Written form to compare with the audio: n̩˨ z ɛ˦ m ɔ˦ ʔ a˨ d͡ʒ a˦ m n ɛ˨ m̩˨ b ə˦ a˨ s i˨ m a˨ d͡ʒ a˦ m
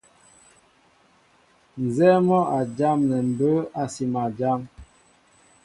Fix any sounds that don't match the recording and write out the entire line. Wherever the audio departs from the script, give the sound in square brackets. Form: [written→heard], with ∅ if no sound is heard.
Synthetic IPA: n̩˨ z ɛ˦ m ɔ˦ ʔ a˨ d͡ʒ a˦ m n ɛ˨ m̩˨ b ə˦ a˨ s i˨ m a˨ d͡ʒ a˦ m